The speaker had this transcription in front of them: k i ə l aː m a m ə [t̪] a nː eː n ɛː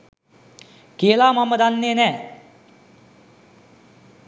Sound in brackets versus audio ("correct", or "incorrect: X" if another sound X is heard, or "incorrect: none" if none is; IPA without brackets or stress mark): incorrect: d̪